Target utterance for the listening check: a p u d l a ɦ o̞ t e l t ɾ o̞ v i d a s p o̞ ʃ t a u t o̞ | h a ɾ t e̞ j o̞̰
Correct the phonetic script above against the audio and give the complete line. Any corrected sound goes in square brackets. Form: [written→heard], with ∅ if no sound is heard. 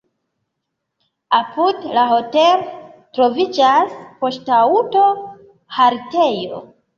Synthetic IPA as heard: a p u d l a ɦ o̞ t e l t ɾ o̞ v i [d→d͡ʒ] a s p o̞ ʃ t a u t o̞ | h a ɾ t e̞ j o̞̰